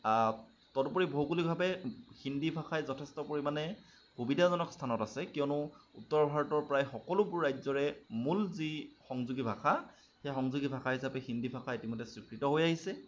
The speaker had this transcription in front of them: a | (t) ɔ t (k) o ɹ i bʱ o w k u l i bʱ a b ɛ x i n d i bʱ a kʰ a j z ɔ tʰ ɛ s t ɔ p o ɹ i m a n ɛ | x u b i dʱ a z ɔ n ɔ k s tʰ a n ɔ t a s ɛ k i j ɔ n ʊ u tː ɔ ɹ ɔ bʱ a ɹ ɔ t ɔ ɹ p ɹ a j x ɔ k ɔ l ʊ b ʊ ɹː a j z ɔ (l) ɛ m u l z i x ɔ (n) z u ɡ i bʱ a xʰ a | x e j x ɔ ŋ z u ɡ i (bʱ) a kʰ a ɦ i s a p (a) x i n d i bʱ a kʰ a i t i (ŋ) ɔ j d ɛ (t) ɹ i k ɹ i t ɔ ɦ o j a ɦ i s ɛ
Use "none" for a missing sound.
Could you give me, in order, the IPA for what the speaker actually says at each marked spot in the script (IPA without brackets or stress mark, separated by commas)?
t, p, ɹ, ŋ, bʱ, ɛ, m, s